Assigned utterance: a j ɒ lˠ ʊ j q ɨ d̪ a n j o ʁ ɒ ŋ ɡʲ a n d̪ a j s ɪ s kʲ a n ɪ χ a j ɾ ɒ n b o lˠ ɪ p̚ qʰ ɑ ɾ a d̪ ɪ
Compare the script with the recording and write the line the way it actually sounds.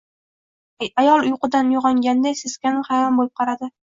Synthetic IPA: a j ɒ lˠ ʊ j q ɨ d̪ a n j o ʁ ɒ ŋ ɡʲ a n d̪ a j s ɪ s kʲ a n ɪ χ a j ɾ ɒ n b o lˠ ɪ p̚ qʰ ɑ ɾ a d̪ ɪ

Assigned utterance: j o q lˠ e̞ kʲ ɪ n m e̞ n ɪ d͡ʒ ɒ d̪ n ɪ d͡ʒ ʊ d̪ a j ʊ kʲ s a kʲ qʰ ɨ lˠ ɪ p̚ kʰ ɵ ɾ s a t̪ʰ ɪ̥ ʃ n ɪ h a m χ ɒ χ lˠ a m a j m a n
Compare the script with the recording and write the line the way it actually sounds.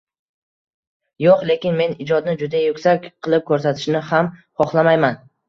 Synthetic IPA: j o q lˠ e̞ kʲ ɪ n m e̞ n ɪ d͡ʒ ɒ d̪ n ɪ d͡ʒ ʊ d̪ a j ʊ kʲ s a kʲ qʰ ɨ lˠ ɪ p̚ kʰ ɵ ɾ s a t̪ʰ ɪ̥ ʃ n ɪ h a m χ ɒ χ lˠ a m a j m a n

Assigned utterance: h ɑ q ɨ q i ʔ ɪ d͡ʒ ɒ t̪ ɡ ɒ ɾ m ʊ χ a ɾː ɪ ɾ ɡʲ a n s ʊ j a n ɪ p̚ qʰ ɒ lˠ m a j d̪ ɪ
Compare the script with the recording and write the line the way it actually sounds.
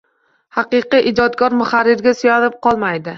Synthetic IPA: h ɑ q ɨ q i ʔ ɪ d͡ʒ ɒ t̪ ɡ ɒ ɾ m ʊ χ a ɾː ɪ ɾ ɡʲ a s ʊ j a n ɪ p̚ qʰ ɒ lˠ m a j d̪ ɪ

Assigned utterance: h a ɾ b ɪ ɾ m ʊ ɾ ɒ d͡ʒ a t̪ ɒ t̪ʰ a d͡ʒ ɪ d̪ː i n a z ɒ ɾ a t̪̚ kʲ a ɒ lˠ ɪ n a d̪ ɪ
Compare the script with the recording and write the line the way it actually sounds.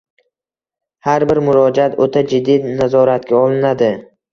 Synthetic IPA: h a ɾ b ɪ ɾ m ʊ ɾ ɒ d͡ʒ a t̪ o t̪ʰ a d͡ʒ ɪ d̪ː i n a z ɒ ɾ a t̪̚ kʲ a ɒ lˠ ɪ n a d̪ ɪ

